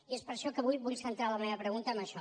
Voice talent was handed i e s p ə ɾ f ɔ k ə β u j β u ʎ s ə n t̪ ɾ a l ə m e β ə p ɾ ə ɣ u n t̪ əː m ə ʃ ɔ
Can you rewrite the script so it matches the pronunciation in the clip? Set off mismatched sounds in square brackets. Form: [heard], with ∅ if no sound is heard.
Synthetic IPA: i e s p ə ɾ [ʃ] ɔ k ə β u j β u ʎ s ə n t̪ ɾ a l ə m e β ə p ɾ ə ɣ u n t̪ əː m ə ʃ ɔ